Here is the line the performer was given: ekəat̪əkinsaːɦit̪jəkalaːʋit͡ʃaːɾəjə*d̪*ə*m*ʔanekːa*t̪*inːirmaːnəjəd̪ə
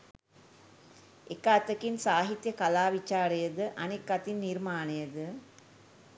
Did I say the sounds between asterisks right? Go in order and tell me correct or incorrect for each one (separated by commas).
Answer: correct, incorrect, correct